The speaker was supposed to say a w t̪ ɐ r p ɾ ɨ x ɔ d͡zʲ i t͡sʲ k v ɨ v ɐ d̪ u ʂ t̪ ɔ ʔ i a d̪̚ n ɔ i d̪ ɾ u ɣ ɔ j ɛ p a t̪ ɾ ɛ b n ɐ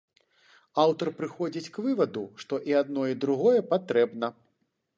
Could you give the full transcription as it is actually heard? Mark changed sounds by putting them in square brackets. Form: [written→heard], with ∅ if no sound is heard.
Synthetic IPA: a w t̪ ɐ r p ɾ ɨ x ɔ d͡zʲ i t͡sʲ k v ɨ v ɐ d̪ u ʂ t̪ ɔ ʔ i a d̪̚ n ɔ i d̪ ɾ u ɣ ɔ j ɛ p a t̪ ɾ ɛ b n ɐ